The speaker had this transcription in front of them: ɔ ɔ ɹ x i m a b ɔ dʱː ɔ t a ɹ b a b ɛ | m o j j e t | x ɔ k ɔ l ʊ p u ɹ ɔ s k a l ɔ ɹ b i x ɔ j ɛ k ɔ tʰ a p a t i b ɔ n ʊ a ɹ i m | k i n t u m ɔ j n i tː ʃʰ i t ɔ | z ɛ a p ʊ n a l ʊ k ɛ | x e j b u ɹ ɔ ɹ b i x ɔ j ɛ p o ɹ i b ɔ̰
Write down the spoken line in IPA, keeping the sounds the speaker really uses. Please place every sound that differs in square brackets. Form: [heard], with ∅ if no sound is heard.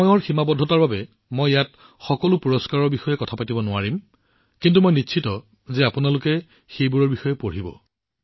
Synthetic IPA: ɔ ɔ ɹ x i m a b ɔ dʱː ɔ t a ɹ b a b ɛ | m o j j [a] t | x ɔ k ɔ l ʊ p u ɹ ɔ s k a [ɹ] ɔ ɹ b i x ɔ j ɛ k ɔ tʰ a p a t i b ɔ n ʊ a ɹ i m | k i n t u m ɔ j n i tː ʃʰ i t ɔ | z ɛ a p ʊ n a l ʊ k ɛ | x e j b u ɹ ɔ ɹ b i x ɔ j ɛ p o ɹ i b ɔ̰